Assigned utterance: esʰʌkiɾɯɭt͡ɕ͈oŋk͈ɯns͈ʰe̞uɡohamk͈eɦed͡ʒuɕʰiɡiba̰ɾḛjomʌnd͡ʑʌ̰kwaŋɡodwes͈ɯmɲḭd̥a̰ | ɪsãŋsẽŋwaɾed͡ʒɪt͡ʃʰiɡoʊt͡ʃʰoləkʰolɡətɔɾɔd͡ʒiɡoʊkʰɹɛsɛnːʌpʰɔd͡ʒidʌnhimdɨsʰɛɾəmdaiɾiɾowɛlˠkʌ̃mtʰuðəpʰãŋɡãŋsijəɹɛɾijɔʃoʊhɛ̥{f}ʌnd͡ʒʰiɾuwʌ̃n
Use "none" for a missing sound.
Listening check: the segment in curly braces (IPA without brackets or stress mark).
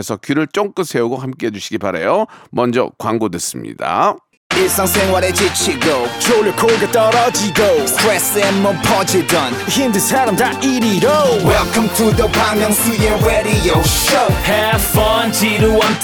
f